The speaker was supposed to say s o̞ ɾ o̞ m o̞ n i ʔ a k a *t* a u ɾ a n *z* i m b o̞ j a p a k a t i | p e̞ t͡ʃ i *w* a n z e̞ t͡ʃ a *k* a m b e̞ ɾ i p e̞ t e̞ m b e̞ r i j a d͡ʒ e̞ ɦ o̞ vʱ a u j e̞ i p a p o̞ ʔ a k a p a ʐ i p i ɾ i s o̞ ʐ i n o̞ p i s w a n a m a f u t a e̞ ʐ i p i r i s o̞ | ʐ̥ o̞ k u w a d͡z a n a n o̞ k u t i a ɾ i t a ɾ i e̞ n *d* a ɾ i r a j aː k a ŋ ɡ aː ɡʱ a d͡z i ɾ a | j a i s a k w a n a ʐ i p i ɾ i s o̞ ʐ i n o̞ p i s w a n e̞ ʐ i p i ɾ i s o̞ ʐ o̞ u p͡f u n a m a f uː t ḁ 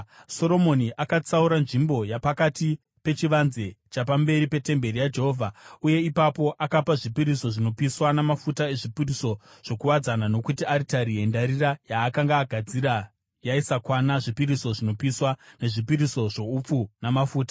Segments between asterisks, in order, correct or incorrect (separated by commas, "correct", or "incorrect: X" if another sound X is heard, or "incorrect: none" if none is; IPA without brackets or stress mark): incorrect: t͡s, incorrect: ʐ, incorrect: ʋ, incorrect: p, correct